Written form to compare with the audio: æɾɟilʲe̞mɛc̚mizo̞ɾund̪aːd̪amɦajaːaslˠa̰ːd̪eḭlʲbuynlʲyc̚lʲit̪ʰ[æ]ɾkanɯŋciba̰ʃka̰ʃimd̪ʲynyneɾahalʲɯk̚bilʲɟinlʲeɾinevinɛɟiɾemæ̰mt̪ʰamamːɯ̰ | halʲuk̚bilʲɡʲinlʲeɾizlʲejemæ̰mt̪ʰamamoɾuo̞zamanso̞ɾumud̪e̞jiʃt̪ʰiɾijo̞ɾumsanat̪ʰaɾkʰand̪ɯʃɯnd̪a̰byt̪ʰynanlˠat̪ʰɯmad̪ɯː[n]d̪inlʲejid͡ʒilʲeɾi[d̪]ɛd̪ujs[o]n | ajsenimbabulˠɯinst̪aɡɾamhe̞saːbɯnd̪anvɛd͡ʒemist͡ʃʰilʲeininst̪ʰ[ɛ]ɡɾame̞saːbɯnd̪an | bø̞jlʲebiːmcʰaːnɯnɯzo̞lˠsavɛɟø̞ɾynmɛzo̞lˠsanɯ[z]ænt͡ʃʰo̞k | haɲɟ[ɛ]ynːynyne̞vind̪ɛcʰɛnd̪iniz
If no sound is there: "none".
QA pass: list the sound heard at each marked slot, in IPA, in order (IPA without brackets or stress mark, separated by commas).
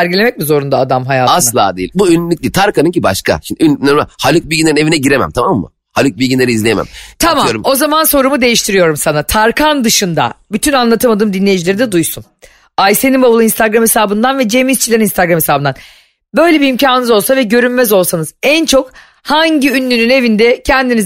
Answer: a, m, d̪, u, a, z, i